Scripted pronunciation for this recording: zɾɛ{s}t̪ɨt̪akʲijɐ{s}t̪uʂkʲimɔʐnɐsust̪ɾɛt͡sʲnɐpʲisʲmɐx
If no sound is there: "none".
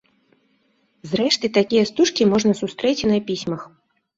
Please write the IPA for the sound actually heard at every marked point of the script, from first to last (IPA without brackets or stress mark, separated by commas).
ʂ, s